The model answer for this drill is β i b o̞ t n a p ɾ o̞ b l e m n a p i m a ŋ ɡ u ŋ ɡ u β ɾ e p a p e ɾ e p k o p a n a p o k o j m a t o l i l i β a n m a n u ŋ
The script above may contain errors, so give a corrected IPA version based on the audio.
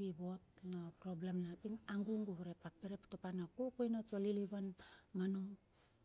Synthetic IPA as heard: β i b o̞ t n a p ɾ o̞ b l e m n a p i ŋ a ŋ ɡ u ŋ ɡ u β ɾ e p a p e ɾ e p t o p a n a k o k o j n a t o l i l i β a n m a n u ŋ